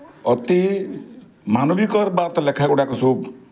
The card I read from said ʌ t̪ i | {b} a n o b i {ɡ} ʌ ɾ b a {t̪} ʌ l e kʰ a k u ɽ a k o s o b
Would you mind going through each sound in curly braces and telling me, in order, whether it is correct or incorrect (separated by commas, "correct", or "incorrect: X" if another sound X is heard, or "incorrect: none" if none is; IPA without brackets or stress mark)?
incorrect: m, incorrect: k, correct